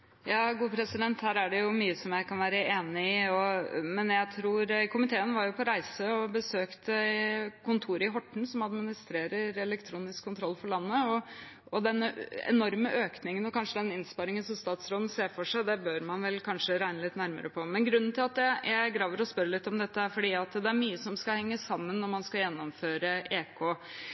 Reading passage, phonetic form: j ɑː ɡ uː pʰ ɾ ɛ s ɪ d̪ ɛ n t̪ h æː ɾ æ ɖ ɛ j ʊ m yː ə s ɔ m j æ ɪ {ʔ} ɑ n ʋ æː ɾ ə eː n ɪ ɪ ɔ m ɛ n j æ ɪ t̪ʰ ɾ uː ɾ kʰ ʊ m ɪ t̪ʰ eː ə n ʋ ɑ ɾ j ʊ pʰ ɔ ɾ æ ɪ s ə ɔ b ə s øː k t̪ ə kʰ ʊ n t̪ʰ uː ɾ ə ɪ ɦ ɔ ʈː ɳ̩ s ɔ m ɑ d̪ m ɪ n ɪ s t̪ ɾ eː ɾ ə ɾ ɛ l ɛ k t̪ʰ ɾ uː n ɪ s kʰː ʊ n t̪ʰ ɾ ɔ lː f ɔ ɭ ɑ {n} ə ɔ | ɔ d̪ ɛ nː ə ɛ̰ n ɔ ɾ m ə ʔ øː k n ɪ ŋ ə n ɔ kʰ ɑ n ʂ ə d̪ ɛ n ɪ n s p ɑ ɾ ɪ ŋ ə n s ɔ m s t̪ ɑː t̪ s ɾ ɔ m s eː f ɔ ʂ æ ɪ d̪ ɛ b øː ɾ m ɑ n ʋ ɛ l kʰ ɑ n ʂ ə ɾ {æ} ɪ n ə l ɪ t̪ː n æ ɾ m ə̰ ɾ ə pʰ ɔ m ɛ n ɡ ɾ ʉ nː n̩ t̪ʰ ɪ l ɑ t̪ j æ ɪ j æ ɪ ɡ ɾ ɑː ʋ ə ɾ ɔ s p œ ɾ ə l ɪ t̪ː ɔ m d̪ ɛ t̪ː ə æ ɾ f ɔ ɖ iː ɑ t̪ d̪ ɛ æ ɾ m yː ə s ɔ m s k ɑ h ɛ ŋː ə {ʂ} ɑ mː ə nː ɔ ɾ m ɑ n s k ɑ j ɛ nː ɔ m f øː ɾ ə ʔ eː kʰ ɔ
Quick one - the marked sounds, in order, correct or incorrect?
incorrect, incorrect, correct, incorrect

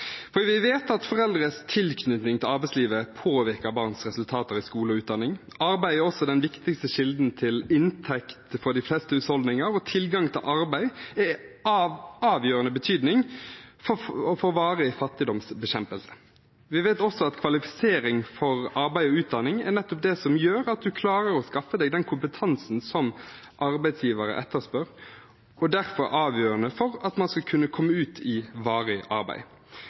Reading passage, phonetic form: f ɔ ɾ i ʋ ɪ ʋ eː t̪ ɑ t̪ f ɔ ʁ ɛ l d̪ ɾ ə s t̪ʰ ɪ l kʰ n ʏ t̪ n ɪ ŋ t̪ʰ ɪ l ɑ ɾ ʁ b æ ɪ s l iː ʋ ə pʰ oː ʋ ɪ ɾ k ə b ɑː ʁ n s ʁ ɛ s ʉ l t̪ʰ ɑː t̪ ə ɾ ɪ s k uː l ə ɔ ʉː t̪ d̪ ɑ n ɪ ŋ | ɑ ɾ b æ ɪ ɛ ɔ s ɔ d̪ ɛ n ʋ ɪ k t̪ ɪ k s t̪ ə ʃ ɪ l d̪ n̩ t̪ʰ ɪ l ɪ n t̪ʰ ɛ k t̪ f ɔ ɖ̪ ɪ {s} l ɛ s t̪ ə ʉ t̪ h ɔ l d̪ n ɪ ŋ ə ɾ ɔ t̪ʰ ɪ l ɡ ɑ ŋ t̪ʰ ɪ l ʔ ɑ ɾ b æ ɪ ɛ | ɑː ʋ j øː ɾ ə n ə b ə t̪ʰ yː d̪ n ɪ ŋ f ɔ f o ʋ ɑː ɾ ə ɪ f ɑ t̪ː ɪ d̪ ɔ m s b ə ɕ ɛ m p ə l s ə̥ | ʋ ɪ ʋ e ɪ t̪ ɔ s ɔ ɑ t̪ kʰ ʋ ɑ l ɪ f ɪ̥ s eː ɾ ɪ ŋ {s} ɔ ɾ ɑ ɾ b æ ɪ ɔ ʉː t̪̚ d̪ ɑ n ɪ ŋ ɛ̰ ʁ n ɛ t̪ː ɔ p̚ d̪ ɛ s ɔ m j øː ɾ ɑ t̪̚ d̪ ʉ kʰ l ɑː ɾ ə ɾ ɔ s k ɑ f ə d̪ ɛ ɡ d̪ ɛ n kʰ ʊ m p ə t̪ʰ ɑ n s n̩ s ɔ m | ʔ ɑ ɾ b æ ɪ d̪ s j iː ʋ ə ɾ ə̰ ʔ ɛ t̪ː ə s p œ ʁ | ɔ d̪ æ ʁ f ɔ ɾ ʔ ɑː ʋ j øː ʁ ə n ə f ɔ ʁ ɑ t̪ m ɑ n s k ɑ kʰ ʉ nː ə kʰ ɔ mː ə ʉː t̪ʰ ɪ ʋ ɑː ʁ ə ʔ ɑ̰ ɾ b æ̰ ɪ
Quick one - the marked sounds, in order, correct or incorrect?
incorrect, incorrect

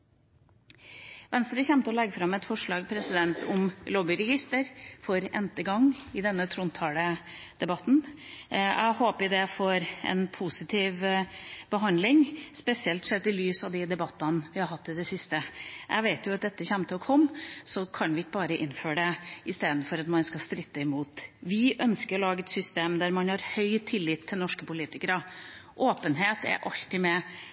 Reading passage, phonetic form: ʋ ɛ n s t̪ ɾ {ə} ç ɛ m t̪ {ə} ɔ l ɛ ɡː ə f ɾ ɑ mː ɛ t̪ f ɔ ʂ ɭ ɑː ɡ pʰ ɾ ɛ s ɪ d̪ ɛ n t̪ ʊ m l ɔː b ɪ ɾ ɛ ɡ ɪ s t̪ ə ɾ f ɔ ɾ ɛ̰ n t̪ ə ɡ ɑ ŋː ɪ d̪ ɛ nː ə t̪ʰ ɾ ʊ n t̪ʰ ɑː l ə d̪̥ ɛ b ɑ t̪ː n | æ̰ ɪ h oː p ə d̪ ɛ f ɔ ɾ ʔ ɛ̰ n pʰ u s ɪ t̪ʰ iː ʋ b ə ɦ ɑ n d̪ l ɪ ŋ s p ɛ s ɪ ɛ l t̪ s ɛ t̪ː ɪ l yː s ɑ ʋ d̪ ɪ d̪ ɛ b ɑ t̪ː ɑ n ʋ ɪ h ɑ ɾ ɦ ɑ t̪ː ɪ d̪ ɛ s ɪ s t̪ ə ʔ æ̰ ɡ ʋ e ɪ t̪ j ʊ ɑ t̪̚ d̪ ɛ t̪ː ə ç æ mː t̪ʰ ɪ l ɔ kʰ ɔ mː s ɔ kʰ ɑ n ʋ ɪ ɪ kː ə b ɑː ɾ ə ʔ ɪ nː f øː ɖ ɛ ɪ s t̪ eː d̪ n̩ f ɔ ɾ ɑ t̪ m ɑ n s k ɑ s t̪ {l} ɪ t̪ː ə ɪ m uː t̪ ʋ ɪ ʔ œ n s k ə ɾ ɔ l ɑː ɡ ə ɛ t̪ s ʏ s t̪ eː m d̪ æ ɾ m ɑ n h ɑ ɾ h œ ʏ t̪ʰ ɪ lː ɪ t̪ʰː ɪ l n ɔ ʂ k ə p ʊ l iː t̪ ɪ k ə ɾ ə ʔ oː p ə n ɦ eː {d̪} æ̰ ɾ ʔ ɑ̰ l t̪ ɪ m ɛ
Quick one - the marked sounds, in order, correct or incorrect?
correct, correct, incorrect, incorrect

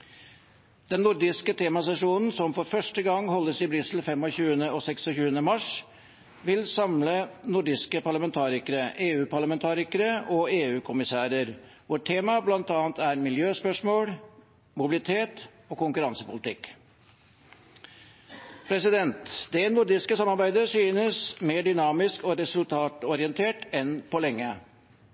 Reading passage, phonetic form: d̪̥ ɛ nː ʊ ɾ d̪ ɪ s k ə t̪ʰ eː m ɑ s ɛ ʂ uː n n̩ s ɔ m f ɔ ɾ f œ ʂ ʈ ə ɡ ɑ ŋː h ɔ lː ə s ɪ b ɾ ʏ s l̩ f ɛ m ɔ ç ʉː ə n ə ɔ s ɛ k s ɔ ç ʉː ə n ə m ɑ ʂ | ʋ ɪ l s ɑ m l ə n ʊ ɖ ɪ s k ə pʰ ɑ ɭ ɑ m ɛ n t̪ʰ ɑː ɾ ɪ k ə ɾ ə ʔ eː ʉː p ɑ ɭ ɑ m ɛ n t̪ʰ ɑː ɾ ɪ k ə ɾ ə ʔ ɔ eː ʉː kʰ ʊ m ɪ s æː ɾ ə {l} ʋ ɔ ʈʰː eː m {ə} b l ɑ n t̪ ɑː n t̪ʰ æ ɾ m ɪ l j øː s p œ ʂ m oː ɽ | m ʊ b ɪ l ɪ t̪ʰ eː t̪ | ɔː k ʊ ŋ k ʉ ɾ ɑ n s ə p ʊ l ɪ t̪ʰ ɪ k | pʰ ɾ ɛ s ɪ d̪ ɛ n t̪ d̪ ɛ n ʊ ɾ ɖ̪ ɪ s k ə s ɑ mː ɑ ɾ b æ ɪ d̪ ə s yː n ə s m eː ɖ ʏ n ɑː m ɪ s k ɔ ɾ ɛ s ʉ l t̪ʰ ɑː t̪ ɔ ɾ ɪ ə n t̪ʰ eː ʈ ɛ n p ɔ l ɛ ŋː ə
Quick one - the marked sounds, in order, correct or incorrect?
incorrect, incorrect

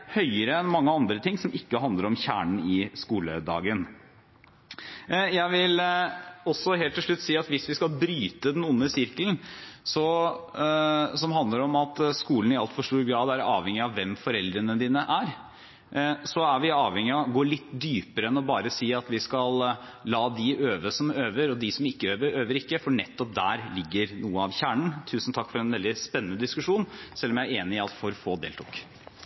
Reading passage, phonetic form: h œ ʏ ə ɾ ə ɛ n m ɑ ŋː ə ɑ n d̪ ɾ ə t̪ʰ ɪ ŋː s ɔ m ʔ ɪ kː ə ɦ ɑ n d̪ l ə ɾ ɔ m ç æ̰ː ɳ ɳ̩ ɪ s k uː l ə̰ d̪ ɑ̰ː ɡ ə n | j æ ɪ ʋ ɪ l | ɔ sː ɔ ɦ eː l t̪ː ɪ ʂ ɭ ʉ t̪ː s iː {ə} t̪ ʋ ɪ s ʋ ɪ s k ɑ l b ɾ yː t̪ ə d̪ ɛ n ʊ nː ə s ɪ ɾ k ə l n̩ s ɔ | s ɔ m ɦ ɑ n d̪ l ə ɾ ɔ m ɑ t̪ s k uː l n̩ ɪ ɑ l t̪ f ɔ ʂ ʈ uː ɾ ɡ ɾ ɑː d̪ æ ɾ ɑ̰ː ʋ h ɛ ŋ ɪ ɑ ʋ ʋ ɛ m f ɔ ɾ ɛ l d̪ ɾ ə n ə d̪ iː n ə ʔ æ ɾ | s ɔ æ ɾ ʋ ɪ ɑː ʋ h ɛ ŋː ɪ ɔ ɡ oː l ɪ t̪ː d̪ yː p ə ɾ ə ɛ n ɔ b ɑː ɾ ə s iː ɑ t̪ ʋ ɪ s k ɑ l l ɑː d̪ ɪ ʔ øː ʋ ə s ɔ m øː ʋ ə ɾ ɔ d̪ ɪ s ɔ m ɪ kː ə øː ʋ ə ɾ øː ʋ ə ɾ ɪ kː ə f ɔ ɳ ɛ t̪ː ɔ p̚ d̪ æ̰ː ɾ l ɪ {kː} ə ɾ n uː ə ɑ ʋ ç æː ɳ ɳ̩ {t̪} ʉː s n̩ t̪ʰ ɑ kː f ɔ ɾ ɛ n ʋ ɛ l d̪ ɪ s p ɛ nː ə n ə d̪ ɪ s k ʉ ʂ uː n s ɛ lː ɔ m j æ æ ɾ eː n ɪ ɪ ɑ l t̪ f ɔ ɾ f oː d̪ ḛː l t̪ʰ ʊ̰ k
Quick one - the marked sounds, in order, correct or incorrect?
incorrect, incorrect, incorrect

